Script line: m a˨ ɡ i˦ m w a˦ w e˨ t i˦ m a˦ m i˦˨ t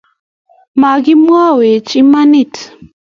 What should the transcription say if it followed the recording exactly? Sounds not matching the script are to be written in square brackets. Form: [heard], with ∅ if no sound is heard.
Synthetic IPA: m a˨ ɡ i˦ m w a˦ w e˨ [t͡ʃ] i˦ m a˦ [n] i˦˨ t